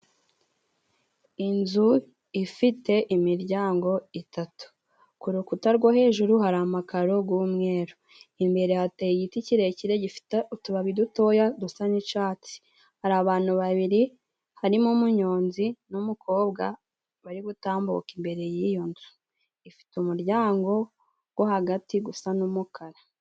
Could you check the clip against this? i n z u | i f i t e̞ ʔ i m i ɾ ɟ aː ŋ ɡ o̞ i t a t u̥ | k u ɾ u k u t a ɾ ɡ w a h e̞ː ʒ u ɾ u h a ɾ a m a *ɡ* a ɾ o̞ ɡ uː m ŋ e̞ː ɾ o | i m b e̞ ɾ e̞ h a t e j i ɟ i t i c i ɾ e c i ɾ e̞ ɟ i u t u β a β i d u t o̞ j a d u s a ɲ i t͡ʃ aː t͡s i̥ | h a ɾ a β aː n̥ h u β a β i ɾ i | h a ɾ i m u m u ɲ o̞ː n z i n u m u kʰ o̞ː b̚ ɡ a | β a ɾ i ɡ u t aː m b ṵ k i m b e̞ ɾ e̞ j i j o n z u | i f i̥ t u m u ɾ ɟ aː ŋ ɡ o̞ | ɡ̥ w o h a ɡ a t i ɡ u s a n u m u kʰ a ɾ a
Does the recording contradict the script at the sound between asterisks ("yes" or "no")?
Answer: yes